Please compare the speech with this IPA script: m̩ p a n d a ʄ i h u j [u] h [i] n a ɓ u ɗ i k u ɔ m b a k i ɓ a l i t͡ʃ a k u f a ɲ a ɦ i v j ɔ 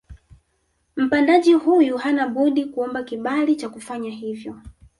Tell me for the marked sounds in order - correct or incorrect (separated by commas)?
correct, incorrect